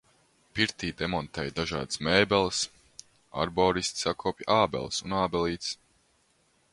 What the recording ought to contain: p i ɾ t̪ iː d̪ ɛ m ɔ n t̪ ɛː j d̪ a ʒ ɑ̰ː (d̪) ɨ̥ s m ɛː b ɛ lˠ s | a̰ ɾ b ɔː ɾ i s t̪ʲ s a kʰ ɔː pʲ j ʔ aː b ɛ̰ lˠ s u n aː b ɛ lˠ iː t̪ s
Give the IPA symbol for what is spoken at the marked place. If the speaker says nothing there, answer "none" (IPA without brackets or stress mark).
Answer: d̪